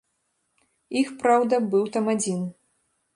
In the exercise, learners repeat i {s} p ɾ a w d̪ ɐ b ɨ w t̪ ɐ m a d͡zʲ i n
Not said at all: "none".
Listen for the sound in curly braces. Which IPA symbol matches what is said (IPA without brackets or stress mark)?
x